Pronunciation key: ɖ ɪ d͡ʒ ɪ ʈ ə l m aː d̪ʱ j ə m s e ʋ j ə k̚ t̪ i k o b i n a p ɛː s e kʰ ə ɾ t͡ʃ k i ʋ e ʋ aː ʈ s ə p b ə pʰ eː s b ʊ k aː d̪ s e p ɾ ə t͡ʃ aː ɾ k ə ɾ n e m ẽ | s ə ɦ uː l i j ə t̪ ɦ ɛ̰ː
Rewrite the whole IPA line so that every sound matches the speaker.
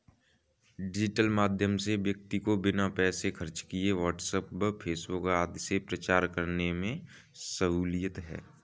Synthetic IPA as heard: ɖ ɪ d͡ʒ ɪ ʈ ə l m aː d̪ʱ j ə m s e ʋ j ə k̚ t̪ i k o b ɪ n a p ɛː s e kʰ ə ɾ t͡ʃ k i e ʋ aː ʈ s ə p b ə pʰ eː s b ʊ k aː d̪ s e p ɾ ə t͡ʃ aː ɾ k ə ɾ n e m ẽ | s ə ɦ uː l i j ə t̪ ɦ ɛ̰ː